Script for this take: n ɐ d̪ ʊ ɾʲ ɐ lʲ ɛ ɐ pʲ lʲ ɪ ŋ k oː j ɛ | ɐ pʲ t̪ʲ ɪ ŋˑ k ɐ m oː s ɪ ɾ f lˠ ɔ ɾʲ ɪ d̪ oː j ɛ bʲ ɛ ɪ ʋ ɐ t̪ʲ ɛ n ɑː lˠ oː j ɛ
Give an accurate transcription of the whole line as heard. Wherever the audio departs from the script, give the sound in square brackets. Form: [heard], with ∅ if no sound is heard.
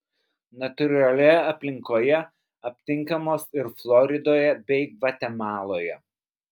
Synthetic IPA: n ɐ [t̪] ʊ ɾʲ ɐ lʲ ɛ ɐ pʲ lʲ ɪ ŋ k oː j ɛ | ɐ pʲ t̪ʲ ɪ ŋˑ k ɐ m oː s ɪ ɾ f lˠ ɔ ɾʲ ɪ d̪ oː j ɛ bʲ ɛ ɪ ʋ ɐ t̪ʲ ɛ [m] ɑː lˠ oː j ɛ

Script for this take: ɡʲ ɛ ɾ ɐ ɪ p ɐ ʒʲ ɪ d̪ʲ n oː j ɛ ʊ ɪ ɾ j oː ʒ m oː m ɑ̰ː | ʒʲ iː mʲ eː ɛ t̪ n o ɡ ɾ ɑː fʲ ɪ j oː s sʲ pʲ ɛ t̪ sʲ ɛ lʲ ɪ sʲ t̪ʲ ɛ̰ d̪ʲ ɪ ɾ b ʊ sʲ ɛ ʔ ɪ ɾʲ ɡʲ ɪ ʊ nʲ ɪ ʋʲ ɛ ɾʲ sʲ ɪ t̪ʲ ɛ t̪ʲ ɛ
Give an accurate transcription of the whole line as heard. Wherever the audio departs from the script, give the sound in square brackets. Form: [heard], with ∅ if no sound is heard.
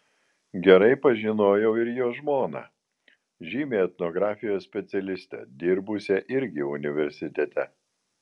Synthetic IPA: ɡʲ ɛ ɾ ɐ ɪ p ɐ ʒʲ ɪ [∅] n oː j ɛ ʊ ɪ ɾ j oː ʒ m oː [n] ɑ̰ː | ʒʲ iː mʲ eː ɛ t̪ n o ɡ ɾ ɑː fʲ ɪ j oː s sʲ pʲ ɛ t̪ sʲ ɛ lʲ ɪ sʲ t̪ʲ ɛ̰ d̪ʲ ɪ ɾ b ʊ sʲ ɛ ʔ ɪ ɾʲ ɡʲ ɪ ʊ nʲ ɪ ʋʲ ɛ ɾʲ sʲ ɪ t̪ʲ ɛ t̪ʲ ɛ

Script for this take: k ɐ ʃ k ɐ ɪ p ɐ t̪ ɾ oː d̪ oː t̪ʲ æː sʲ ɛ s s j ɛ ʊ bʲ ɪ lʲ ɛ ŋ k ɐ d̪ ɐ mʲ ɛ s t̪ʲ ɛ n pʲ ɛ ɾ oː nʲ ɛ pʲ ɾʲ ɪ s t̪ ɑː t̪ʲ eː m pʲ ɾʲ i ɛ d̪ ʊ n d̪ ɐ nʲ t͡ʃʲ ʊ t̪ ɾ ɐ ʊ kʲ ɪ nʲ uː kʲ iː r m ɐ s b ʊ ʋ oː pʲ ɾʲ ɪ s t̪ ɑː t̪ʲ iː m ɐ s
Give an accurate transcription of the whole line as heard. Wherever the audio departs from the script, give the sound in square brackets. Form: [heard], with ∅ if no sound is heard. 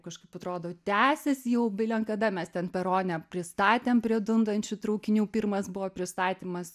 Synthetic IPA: k ɐ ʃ k ɐ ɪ p ɐ t̪ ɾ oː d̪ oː t̪ʲ æː sʲ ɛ s s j ɛ ʊ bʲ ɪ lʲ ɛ ŋ k ɐ d̪ ɐ mʲ ɛ s t̪ʲ ɛ n pʲ ɛ ɾ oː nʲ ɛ pʲ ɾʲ ɪ s t̪ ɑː t̪ʲ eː m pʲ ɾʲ i ɛ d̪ ʊ n d̪ ɐ nʲ t͡ʃʲ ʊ t̪ ɾ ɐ ʊ kʲ ɪ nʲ uː [pʲ] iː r m ɐ s b ʊ ʋ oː pʲ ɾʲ ɪ s t̪ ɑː t̪ʲ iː m ɐ s

